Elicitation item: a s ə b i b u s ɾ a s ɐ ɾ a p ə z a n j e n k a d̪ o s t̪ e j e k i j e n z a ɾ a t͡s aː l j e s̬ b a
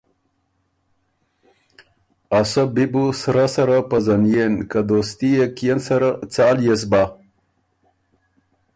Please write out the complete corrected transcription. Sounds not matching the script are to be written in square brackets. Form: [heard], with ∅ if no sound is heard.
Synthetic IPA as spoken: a s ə b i b u s ɾ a s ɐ ɾ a p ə z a n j e n k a d̪ o s t̪ [i] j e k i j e n [s] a ɾ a t͡s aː l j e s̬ b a